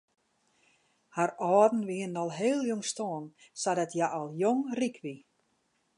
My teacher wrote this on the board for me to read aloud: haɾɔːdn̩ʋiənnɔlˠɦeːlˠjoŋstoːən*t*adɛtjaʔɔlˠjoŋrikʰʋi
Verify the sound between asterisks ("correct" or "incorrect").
incorrect